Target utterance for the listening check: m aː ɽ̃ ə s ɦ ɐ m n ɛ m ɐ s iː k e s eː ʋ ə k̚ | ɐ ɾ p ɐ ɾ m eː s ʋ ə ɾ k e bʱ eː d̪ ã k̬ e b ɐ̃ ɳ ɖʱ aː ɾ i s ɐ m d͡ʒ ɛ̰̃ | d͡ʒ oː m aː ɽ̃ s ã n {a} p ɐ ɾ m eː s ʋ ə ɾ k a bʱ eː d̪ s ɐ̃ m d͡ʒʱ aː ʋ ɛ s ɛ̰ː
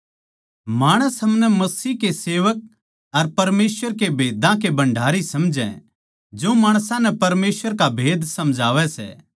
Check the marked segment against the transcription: incorrect: ɛ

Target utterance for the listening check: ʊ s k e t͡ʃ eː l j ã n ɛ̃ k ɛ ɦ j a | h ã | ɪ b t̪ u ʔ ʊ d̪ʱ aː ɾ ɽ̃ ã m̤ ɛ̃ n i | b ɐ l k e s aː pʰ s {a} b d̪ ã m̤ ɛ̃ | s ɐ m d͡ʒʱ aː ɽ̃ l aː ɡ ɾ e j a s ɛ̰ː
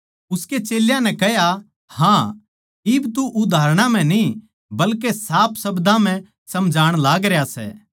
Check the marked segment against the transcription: incorrect: ɐ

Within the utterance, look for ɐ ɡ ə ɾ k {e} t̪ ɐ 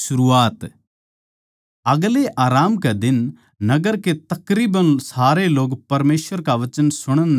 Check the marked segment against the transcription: correct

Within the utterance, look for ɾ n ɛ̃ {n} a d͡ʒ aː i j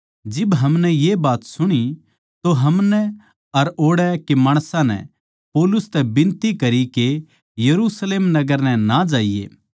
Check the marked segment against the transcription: correct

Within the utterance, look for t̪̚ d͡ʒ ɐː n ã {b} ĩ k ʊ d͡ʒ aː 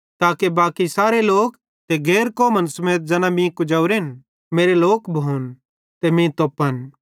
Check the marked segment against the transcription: incorrect: m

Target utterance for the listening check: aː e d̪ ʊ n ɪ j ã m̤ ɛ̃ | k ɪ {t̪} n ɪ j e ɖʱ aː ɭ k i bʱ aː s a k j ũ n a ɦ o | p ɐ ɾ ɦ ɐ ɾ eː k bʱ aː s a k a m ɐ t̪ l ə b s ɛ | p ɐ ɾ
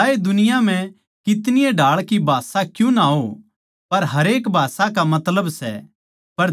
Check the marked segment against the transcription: correct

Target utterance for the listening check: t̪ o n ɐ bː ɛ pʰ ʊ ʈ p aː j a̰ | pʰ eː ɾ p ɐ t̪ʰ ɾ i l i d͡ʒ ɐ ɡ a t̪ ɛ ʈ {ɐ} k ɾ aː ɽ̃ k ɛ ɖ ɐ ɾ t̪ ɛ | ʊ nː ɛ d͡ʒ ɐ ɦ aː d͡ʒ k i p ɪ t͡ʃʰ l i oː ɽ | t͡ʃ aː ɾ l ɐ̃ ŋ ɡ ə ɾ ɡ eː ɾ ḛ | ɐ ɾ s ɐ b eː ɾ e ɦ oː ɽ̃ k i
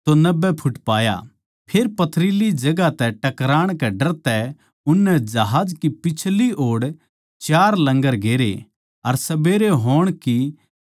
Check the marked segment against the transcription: correct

